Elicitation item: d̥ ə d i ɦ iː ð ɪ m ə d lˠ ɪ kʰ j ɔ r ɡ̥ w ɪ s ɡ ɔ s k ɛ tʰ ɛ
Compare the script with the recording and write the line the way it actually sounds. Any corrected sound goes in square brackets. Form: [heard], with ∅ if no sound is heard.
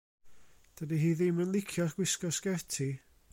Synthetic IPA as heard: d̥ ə d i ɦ iː ð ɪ m ə [n] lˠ ɪ kʰ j ɔ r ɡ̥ w ɪ s [k] ɔ s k ɛ tʰ [i]